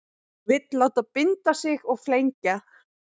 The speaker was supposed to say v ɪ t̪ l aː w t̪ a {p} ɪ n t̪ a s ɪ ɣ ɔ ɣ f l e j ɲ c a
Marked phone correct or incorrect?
correct